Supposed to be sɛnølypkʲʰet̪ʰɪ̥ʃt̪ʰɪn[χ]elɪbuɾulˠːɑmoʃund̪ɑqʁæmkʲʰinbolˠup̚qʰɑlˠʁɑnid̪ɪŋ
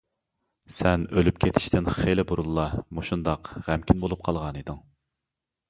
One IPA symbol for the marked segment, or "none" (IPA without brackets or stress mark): χ